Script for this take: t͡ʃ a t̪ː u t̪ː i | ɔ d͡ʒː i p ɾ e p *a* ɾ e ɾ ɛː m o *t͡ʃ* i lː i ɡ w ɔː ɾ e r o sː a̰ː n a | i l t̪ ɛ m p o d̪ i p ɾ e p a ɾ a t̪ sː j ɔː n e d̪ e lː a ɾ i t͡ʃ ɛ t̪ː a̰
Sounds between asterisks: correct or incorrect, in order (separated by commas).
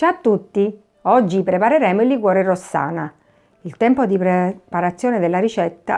correct, incorrect